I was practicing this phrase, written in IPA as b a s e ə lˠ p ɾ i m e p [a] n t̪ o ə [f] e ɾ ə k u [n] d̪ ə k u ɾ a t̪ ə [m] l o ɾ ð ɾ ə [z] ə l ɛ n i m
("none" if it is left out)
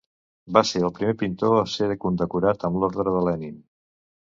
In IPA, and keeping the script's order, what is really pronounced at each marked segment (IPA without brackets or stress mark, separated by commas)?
i, s, n, m, ð